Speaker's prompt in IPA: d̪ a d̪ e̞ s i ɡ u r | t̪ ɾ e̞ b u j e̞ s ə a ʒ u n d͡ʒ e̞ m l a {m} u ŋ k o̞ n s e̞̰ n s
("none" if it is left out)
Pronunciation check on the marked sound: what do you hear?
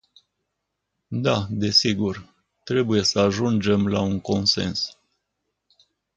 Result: none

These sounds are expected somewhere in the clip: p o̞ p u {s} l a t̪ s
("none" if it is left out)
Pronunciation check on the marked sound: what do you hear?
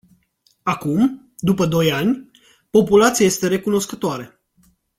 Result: none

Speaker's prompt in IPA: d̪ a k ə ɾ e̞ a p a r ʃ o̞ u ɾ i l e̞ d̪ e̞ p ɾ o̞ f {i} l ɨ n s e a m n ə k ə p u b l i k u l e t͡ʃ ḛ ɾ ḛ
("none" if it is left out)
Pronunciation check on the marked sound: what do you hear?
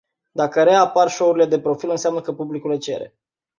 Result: i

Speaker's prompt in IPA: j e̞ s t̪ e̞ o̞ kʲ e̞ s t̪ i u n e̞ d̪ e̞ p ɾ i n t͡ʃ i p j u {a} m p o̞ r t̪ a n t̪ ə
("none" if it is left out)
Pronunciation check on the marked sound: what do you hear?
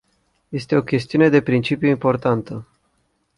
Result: i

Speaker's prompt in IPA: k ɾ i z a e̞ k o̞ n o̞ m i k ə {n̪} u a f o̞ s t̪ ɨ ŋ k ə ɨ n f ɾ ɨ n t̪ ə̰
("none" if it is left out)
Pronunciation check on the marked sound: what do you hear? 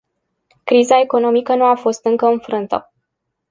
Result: n̪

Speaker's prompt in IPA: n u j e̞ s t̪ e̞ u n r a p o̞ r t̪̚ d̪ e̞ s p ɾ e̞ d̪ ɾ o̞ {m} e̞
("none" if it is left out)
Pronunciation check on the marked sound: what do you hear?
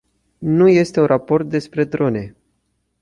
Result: n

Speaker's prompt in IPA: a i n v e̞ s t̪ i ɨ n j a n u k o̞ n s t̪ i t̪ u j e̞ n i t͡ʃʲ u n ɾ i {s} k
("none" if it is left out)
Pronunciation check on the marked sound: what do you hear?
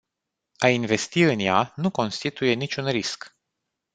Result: s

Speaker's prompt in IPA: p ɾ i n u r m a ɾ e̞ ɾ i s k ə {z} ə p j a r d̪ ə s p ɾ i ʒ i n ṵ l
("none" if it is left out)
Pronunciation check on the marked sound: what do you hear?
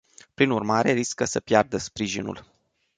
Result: s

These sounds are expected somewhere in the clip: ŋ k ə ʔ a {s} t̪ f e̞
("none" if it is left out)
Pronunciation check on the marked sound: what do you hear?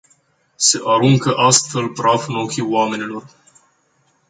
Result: s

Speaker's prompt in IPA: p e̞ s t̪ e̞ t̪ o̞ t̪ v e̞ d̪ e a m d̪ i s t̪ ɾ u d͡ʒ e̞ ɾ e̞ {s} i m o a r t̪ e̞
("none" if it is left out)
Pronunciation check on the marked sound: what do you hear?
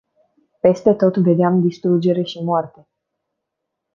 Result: ʃ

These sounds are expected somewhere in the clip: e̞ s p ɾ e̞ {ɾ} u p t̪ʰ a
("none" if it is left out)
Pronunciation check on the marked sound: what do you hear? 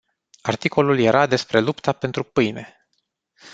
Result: l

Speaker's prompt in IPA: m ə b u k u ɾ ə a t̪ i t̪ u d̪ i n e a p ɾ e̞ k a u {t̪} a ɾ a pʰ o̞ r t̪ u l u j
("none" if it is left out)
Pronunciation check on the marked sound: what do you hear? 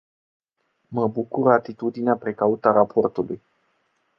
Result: t̪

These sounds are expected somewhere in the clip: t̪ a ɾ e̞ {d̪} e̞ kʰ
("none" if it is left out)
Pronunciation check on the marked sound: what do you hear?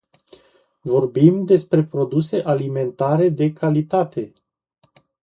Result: d̪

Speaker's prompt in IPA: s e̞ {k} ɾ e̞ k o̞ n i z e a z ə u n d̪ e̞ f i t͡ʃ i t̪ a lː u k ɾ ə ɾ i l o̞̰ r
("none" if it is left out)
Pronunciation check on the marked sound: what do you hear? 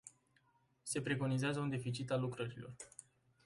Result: p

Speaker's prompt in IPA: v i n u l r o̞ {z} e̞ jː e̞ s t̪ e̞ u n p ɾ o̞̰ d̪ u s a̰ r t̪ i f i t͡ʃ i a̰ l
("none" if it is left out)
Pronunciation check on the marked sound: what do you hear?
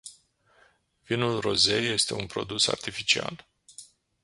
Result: z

